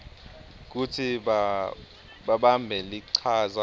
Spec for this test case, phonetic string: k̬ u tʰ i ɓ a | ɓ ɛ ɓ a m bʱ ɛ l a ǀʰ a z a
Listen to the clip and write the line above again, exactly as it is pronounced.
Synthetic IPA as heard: k̬ u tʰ i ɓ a | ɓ a ɓ a m bʱ ɛ l i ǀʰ a z a